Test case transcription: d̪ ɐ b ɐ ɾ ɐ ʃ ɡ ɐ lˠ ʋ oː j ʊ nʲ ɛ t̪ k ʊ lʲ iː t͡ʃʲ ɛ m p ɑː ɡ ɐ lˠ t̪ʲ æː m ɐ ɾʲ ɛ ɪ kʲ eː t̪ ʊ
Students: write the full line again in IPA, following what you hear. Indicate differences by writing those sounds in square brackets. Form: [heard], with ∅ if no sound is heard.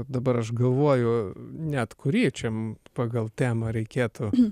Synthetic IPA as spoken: d̪ ɐ b ɐ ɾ ɐ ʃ ɡ ɐ lˠ ʋ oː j ʊ nʲ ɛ t̪ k ʊ [ɾʲ] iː t͡ʃʲ ɛ m p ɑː ɡ ɐ lˠ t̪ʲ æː m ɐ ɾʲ ɛ ɪ kʲ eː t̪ ʊ